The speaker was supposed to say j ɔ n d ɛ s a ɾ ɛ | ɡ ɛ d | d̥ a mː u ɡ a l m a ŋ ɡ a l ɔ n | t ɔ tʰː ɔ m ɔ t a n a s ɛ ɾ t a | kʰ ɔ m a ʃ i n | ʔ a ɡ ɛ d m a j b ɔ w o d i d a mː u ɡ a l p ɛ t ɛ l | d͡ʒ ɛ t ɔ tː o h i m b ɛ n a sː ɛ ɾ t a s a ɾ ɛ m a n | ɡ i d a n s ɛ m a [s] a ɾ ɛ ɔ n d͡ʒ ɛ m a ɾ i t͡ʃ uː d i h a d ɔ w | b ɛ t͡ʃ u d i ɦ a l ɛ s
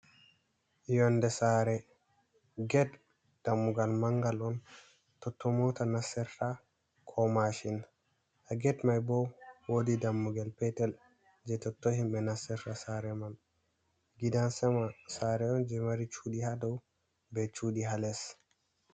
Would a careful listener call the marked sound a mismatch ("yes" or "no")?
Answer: no